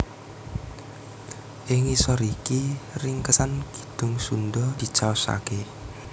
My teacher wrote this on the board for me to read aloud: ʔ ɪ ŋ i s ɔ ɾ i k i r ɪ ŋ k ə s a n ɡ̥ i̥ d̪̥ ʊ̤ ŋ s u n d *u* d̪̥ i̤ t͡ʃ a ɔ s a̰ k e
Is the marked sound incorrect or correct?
incorrect